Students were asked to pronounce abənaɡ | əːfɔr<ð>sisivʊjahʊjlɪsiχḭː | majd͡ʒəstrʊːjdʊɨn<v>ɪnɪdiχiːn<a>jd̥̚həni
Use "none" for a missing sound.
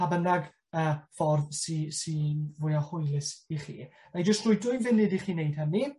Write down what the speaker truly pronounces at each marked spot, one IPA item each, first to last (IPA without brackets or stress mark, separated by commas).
ð, v, e